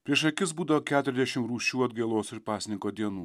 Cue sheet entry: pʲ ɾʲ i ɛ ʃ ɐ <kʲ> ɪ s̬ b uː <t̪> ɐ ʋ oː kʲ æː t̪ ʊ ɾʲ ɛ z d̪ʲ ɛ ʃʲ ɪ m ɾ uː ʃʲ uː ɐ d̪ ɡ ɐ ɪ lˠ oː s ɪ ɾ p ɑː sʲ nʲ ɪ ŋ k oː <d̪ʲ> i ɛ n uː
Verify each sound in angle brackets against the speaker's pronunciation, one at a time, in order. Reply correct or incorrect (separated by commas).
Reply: correct, incorrect, correct